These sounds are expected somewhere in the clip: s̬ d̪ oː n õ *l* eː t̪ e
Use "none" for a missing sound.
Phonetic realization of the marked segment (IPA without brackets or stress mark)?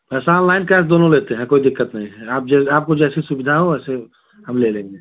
l